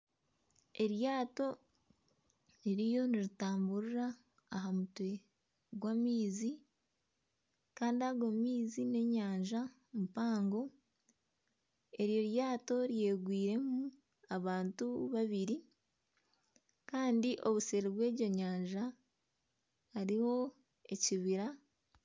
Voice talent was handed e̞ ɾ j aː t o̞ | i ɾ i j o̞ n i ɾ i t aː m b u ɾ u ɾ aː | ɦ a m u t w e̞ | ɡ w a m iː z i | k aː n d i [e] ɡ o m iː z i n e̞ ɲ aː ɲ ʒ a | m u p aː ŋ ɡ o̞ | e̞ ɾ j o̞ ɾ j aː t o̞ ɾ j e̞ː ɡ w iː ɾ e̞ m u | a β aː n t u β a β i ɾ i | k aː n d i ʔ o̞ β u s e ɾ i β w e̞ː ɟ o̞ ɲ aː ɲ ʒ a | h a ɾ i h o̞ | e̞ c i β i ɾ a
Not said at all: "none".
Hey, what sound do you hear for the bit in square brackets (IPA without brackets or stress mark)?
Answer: a